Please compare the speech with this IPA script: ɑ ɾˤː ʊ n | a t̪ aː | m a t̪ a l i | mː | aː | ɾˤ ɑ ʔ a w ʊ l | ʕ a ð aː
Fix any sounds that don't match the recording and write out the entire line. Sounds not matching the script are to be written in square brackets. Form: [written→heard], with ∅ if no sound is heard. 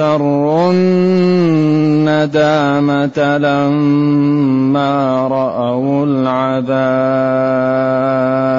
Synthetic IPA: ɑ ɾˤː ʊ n | a [t̪→d̪] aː | m a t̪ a l [i→a] | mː | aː | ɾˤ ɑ ʔ a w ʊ l | ʕ a ð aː